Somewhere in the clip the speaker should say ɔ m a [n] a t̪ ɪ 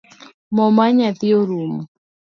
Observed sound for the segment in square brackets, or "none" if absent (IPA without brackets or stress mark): ɲ